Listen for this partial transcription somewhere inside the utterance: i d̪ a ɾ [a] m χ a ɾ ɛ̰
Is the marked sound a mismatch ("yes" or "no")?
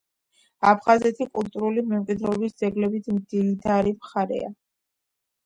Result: yes